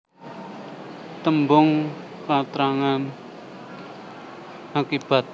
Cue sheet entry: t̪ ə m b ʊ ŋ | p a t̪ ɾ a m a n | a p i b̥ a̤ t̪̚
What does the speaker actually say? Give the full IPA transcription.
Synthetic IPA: t̪ ə m b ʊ ŋ | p a t̪ ɾ a ŋ a n | a k i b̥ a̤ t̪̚